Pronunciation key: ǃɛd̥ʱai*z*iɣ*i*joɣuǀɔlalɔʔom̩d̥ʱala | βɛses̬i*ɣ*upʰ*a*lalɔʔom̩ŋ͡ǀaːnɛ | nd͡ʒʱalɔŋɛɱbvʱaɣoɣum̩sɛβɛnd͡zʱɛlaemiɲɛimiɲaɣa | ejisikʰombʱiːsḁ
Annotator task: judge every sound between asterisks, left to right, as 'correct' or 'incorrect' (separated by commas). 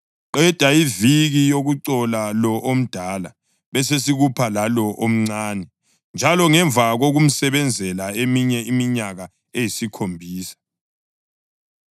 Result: incorrect, correct, correct, correct